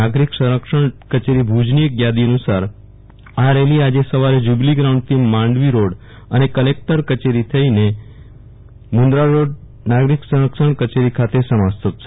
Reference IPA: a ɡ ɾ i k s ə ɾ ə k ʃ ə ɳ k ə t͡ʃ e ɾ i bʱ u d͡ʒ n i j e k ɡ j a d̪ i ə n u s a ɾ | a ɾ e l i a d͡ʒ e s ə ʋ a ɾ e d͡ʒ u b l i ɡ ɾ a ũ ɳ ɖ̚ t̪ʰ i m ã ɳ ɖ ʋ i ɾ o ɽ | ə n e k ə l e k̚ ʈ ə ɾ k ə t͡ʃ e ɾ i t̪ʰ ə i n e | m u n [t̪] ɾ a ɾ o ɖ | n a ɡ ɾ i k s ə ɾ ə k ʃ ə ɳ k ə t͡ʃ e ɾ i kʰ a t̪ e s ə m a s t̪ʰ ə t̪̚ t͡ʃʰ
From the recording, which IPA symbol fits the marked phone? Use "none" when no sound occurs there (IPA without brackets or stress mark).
d̪